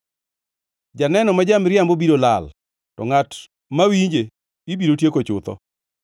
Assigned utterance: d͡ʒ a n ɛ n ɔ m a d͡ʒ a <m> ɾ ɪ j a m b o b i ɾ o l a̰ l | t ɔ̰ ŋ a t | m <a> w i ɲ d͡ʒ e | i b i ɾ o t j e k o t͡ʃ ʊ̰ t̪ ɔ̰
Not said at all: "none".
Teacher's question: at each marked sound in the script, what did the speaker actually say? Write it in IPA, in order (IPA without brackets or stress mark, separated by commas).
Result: m, a